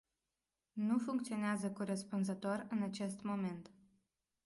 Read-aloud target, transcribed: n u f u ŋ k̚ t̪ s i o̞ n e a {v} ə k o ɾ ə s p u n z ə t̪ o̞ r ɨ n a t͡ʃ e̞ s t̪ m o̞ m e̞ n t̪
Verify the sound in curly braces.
incorrect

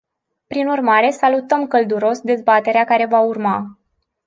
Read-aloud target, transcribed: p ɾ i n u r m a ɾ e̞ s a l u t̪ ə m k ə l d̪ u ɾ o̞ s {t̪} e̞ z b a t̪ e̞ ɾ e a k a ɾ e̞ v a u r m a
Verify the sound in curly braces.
incorrect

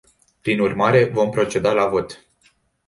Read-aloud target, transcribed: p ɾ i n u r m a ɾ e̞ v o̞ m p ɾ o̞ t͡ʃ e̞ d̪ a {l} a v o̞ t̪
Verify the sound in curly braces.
correct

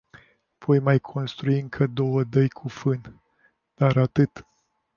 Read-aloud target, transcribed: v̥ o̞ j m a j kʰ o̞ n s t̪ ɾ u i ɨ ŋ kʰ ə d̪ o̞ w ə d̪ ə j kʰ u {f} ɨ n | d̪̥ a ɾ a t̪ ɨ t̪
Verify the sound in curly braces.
correct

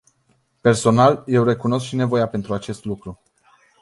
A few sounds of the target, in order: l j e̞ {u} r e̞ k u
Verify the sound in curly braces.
incorrect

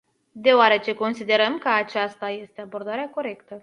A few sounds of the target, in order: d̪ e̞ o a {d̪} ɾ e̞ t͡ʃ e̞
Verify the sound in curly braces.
incorrect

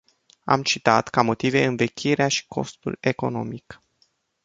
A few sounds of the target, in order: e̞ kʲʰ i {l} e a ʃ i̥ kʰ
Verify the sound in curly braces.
incorrect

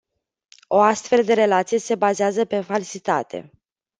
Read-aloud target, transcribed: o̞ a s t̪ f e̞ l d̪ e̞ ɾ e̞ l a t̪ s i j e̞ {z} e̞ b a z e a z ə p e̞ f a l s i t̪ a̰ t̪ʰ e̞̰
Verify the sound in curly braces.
incorrect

